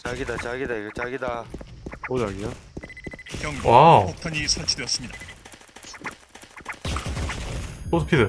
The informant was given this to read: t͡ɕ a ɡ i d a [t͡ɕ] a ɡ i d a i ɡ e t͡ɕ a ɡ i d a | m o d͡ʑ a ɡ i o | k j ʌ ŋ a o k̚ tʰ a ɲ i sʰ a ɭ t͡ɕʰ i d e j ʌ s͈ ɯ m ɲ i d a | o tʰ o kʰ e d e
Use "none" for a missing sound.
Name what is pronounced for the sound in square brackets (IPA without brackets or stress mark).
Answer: t͡ɕ